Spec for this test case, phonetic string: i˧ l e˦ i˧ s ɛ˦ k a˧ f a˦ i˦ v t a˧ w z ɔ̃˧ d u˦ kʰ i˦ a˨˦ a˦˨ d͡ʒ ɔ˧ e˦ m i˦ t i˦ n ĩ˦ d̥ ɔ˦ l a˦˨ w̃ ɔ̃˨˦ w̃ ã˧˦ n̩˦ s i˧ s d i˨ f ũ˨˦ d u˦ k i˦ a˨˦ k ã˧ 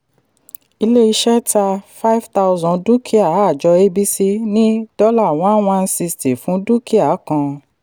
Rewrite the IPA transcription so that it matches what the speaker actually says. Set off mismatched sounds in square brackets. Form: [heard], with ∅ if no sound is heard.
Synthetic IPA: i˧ l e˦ i˧ [ʃ] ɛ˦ [t] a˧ f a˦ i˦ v t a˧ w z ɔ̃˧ d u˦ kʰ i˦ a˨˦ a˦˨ d͡ʒ ɔ˧ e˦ [b] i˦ [s] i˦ n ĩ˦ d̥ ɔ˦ l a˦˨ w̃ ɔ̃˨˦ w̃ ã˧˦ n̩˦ s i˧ s [t] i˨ f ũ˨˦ d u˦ k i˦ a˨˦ k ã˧